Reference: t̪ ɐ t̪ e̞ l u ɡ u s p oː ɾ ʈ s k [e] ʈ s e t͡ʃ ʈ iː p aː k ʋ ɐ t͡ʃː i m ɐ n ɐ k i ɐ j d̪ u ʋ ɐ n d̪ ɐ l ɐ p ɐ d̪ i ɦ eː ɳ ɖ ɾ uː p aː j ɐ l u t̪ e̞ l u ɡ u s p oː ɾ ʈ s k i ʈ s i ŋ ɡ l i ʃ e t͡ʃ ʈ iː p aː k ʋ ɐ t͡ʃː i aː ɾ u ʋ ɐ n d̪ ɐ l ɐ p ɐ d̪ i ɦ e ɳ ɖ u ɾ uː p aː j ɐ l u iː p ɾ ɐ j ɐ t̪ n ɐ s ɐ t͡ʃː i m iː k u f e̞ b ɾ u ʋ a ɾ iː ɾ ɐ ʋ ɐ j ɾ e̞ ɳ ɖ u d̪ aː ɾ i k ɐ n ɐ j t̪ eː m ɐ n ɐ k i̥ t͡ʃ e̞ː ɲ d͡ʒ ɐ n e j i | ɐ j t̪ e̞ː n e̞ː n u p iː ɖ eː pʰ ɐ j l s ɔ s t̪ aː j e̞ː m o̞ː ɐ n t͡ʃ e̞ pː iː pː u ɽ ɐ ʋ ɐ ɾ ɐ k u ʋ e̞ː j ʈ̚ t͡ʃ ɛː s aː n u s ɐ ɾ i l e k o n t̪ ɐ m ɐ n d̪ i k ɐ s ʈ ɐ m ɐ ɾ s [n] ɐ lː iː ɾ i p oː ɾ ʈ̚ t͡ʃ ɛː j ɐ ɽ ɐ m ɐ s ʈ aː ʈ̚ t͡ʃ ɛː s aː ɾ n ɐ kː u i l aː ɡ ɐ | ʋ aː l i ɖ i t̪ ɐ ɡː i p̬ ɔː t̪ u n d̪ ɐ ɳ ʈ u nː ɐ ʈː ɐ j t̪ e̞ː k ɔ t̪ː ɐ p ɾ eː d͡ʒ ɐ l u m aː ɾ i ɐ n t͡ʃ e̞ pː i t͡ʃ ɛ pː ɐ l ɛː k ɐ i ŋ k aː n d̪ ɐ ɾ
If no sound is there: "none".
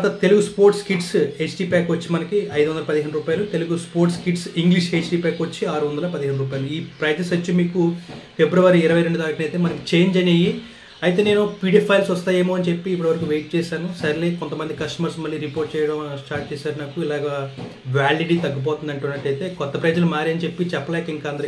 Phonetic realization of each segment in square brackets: i, m

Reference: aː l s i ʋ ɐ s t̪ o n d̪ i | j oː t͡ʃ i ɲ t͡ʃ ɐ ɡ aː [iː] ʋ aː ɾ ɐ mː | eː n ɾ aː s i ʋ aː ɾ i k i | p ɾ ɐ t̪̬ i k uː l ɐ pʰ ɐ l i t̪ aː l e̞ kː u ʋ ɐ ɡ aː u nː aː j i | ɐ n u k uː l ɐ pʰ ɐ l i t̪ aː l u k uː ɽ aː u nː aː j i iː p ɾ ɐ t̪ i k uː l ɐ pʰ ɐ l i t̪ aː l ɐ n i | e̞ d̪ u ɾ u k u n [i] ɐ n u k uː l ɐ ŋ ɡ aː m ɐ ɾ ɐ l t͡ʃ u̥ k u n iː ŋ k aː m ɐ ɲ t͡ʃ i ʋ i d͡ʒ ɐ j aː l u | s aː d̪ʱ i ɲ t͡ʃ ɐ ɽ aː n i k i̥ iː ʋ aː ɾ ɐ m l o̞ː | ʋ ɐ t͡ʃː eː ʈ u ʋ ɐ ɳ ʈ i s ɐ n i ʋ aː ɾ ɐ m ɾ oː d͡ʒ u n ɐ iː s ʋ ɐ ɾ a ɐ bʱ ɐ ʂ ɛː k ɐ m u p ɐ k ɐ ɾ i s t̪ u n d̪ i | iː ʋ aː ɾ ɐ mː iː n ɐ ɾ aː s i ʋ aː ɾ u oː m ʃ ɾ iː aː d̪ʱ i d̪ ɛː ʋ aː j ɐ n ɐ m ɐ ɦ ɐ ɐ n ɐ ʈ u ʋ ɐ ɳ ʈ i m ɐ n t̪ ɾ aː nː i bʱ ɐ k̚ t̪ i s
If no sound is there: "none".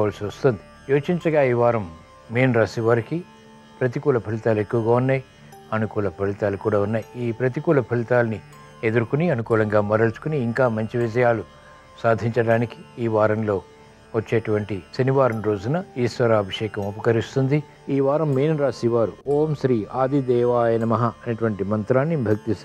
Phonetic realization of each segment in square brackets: iː, i

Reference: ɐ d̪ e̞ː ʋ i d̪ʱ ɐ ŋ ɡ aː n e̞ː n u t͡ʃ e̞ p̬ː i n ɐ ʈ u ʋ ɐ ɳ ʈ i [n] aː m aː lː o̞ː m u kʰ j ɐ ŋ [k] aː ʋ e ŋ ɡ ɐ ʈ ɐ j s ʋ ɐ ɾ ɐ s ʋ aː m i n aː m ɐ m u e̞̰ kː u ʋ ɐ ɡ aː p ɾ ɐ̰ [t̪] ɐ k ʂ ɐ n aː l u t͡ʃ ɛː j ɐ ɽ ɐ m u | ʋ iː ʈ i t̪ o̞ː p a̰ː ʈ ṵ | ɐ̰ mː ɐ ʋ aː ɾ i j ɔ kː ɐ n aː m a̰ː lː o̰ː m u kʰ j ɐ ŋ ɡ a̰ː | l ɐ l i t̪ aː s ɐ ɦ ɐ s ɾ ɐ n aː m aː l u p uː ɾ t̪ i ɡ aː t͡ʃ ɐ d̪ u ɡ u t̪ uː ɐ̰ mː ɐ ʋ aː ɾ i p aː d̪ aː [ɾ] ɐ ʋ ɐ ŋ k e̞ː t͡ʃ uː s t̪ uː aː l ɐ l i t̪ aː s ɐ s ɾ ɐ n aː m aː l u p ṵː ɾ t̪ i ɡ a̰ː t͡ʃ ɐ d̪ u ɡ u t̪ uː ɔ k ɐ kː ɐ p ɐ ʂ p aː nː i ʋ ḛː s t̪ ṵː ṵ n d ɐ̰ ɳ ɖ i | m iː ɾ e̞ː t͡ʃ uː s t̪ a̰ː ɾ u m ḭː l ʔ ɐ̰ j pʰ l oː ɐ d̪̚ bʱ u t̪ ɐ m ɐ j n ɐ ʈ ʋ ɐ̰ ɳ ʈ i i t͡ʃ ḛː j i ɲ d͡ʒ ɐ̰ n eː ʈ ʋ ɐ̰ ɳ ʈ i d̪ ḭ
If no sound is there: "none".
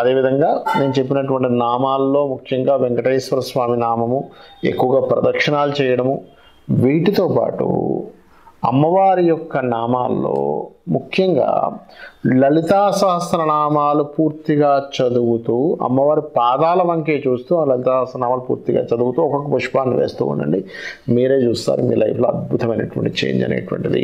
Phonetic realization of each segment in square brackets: n, ɡ, d̪, l

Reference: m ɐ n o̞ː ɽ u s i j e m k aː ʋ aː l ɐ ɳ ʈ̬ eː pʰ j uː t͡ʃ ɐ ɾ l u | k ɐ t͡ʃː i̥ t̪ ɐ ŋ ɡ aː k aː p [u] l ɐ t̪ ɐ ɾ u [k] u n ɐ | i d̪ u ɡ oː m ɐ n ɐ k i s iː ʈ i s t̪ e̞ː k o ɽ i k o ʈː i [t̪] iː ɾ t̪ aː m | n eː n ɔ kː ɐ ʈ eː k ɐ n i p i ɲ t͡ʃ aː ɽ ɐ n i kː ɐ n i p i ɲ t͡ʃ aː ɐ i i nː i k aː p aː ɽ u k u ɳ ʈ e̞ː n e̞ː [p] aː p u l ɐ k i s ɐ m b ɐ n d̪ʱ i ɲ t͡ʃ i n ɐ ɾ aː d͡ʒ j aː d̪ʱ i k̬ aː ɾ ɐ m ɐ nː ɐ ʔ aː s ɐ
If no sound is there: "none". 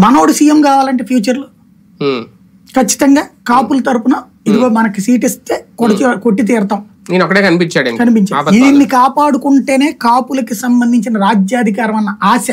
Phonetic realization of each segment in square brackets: u, p, t̪, k

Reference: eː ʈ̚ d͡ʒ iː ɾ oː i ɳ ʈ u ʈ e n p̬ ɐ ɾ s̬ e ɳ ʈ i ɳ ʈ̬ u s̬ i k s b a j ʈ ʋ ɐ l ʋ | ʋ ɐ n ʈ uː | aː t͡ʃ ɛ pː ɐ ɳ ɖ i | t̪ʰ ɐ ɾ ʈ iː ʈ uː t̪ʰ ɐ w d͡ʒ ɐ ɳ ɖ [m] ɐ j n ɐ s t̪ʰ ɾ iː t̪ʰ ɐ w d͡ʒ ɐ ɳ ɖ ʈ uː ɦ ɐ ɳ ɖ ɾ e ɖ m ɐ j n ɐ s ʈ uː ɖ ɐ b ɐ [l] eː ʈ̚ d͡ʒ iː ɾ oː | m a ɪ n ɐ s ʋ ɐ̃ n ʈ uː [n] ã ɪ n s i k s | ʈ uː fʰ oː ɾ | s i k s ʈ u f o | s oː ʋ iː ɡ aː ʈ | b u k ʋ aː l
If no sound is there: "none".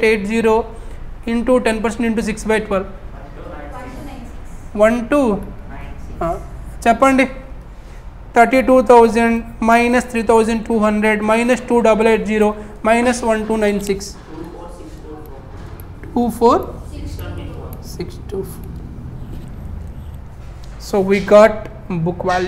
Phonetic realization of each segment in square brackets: m, l, n

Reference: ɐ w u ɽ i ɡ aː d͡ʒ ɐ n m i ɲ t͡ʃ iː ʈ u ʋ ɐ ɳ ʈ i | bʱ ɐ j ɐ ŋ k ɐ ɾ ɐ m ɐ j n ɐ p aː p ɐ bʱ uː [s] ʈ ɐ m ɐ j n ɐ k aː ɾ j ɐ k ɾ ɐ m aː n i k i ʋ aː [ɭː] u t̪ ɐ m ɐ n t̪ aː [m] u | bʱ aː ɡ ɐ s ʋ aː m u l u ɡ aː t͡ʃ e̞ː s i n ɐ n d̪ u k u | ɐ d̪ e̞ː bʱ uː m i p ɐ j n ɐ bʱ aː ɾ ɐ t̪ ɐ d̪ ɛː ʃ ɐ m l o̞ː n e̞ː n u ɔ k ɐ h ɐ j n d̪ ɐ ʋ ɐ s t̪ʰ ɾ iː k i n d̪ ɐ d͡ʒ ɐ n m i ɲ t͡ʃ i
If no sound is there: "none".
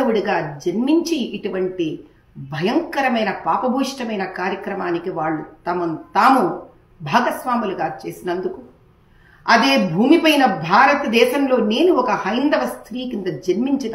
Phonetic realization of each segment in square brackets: ʂ, ɭː, m

